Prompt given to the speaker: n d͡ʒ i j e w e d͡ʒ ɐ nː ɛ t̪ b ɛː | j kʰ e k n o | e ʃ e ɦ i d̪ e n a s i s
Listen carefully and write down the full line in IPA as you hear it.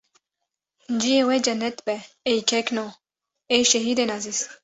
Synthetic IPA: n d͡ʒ i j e w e d͡ʒ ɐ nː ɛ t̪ b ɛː | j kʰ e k n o | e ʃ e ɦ i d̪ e n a z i s